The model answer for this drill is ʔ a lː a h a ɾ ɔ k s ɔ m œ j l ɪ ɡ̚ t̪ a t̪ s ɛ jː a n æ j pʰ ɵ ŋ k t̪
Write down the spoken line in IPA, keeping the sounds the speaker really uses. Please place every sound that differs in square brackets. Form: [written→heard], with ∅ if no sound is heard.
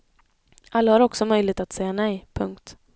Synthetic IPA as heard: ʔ a lː a h a ɾ ɔ k s ɔ m œ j l ɪ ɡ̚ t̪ a t̪ s ɛ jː a n [æ→ɛ] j pʰ ɵ ŋ k t̪